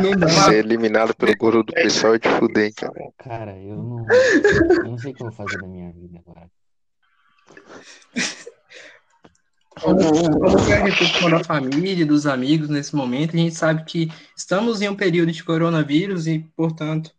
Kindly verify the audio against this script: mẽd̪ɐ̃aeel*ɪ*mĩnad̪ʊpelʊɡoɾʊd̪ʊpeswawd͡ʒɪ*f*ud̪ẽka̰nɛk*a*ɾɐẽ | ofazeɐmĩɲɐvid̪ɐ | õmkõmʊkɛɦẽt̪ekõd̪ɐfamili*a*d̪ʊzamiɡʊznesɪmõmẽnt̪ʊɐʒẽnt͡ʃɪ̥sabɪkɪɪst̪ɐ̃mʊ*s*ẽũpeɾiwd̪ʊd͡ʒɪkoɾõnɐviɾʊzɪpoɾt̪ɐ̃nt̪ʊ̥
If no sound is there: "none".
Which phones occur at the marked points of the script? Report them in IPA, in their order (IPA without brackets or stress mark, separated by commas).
i, f, a, ɐ, z